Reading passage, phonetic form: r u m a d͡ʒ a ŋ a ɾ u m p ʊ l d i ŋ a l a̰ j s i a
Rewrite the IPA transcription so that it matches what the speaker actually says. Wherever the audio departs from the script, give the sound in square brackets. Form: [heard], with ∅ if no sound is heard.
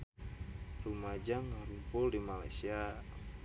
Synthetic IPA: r u m a d͡ʒ a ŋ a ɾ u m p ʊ l d i [m] a l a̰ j s i a